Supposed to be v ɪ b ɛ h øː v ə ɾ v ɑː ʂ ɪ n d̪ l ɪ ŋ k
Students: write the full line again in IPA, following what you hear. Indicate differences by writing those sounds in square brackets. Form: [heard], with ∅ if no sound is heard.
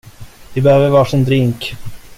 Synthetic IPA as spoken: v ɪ b ɛ h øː v ə ɾ v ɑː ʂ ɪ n d̪ [ɾ] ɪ ŋ k